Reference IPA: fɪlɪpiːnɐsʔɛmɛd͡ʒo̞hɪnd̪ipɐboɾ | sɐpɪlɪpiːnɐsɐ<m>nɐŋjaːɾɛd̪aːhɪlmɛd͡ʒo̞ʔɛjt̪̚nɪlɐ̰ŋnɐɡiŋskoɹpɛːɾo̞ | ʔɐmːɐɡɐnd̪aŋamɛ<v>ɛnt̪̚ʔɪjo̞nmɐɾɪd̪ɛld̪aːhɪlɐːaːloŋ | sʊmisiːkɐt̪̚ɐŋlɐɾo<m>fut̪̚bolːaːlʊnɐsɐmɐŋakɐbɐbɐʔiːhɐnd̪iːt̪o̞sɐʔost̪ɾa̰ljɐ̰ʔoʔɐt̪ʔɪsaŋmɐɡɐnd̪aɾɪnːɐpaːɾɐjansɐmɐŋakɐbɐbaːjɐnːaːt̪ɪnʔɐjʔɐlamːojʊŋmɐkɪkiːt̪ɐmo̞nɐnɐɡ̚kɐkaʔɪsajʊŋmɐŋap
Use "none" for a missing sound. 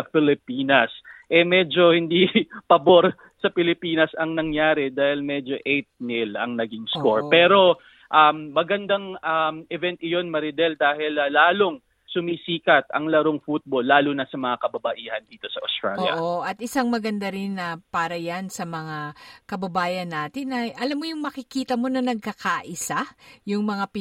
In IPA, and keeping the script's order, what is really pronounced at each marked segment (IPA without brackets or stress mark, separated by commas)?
ŋ, v, ŋ